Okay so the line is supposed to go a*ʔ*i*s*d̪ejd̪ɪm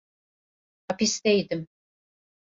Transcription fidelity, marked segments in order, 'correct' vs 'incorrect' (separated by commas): incorrect, correct